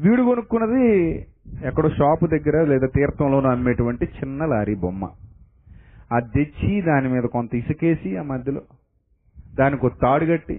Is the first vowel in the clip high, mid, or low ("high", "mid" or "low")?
high